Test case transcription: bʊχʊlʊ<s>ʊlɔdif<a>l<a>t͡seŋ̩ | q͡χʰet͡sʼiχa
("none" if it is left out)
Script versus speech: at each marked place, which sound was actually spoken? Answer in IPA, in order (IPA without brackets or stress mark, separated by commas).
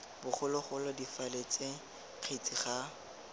χ, a, e